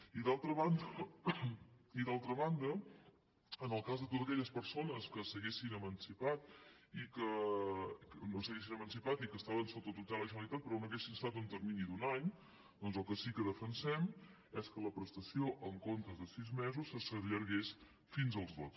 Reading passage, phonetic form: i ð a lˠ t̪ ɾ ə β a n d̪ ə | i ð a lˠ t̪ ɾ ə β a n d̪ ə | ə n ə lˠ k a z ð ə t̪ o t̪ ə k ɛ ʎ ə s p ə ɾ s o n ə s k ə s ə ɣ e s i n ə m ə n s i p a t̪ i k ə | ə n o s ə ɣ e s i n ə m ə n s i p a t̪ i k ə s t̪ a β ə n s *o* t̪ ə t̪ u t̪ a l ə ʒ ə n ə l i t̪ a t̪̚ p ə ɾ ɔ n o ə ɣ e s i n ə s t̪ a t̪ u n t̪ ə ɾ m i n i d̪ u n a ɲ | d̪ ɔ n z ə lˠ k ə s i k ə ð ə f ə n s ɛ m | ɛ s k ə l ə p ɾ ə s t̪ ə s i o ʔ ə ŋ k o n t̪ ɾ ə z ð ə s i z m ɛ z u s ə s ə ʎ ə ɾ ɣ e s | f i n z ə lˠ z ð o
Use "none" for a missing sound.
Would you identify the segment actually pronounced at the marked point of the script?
o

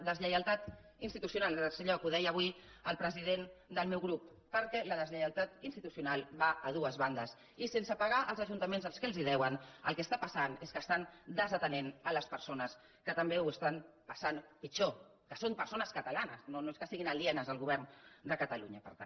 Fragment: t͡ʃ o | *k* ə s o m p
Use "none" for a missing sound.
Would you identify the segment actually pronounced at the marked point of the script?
k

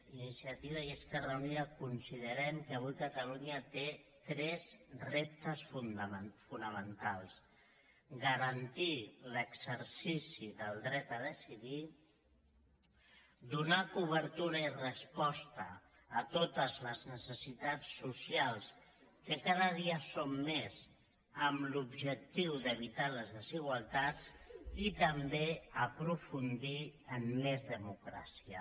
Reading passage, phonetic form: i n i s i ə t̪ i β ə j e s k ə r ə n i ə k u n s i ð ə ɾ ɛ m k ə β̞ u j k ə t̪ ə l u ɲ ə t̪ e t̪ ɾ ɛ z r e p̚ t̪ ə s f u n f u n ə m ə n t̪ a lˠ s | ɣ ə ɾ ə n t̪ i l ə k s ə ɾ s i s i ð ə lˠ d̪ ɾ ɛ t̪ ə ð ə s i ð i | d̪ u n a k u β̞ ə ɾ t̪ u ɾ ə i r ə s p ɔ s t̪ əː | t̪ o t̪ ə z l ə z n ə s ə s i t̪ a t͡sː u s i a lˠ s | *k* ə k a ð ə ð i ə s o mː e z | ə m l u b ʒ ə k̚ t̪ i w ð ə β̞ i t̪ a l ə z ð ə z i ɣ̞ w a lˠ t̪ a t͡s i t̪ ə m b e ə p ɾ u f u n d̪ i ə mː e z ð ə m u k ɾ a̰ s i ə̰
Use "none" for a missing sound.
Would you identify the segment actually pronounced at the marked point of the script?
k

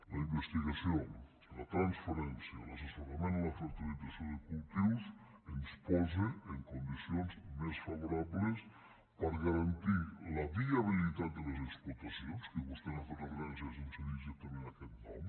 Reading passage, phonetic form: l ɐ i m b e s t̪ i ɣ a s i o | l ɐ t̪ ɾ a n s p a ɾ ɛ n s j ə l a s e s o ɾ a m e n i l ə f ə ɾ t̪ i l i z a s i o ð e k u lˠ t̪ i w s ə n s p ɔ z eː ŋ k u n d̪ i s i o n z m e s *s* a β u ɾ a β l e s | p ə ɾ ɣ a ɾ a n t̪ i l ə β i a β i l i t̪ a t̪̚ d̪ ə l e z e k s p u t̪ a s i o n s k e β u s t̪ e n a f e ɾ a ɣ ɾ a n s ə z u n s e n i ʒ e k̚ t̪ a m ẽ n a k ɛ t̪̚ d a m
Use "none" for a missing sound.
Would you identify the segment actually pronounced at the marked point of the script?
f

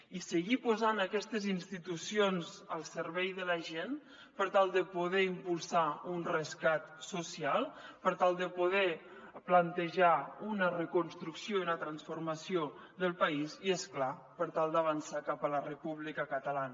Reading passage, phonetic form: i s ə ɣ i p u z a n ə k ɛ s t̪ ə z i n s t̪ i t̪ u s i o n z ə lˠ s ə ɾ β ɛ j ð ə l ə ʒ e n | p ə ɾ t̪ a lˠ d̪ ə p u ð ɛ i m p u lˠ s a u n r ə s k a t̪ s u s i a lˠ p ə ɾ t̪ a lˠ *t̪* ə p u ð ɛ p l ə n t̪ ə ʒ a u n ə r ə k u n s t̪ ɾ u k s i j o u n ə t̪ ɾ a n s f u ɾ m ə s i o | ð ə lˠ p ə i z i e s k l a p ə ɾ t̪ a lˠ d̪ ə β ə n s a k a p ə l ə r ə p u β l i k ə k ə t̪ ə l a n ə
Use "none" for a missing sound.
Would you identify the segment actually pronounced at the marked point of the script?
d̪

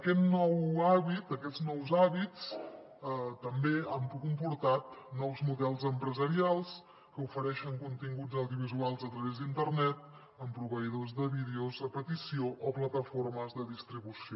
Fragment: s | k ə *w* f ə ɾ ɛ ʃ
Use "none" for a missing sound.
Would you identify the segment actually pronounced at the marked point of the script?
u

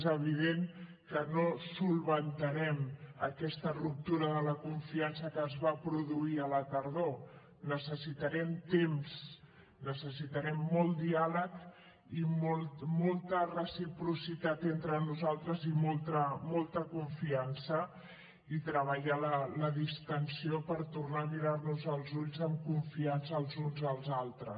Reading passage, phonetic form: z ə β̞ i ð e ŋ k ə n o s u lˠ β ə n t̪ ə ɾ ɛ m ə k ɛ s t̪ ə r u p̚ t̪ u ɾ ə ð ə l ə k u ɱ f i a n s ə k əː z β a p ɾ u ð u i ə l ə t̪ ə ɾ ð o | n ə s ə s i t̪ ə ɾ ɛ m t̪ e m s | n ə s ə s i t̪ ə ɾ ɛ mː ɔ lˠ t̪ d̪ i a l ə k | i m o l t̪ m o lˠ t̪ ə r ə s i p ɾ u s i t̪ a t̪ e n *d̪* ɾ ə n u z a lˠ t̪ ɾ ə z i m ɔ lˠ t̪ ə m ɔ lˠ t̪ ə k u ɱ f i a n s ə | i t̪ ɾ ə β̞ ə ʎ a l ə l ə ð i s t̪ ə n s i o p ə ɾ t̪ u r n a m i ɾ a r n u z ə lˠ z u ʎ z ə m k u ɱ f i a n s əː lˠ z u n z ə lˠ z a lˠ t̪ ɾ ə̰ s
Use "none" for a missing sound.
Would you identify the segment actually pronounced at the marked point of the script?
t̪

